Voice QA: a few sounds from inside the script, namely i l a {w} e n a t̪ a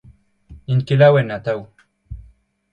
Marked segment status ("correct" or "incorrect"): correct